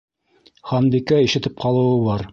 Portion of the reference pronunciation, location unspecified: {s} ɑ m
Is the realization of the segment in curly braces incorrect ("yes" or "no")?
yes